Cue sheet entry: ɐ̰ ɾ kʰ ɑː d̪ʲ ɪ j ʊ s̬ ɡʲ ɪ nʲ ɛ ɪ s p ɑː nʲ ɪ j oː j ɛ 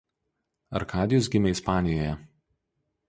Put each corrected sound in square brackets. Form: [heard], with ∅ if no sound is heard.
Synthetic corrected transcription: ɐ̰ ɾ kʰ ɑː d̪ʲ ɪ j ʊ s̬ ɡʲ ɪ [mʲ] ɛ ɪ s p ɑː nʲ ɪ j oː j ɛ